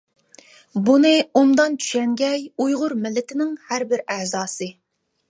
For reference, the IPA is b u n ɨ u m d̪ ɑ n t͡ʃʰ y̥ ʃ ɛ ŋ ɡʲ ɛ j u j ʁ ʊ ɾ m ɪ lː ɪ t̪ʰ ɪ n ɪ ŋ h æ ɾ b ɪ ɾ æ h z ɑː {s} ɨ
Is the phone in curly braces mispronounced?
no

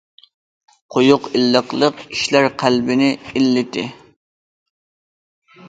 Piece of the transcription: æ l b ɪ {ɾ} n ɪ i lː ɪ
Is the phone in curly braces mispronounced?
yes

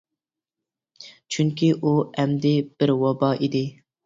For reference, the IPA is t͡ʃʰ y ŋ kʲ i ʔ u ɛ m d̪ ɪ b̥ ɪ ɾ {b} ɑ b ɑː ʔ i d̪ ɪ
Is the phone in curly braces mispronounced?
yes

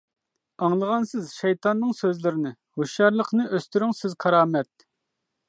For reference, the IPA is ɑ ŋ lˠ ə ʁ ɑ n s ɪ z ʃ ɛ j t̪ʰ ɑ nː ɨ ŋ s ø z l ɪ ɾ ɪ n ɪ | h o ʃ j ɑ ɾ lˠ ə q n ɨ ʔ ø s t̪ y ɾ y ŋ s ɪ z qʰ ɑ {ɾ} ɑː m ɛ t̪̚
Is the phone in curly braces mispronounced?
no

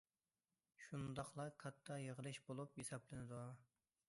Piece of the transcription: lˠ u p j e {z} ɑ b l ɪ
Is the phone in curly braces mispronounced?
yes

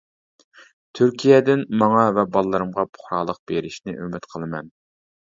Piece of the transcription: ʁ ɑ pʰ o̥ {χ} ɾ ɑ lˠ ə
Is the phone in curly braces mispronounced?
no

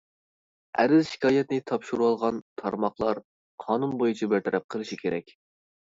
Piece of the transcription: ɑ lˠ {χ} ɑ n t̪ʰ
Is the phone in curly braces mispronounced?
yes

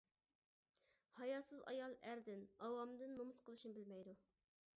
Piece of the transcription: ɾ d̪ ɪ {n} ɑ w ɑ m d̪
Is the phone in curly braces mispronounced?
no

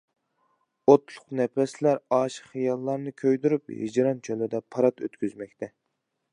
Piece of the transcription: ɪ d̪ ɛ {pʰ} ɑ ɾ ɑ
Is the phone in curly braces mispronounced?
no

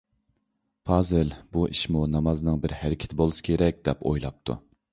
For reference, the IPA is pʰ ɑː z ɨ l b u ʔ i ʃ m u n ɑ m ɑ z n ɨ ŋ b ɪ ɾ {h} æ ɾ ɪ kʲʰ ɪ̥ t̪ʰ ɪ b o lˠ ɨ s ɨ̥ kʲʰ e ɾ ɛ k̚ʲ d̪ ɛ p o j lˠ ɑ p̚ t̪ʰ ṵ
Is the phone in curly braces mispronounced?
no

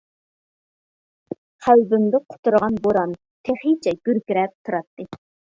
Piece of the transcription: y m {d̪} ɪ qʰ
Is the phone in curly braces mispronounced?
no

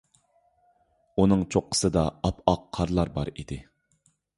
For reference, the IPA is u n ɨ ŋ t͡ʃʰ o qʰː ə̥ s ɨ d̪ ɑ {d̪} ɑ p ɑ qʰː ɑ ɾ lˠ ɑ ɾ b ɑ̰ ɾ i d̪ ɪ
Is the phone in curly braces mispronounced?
yes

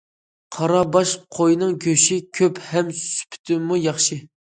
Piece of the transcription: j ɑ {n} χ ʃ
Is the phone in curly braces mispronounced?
yes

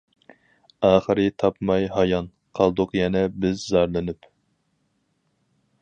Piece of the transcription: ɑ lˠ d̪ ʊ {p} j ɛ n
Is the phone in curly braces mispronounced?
yes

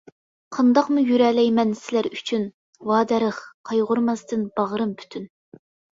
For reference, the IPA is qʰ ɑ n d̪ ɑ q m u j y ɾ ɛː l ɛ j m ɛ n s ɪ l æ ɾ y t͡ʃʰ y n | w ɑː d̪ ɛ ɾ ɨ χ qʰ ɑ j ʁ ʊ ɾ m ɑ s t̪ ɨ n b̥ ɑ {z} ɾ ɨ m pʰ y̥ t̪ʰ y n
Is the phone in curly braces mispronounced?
yes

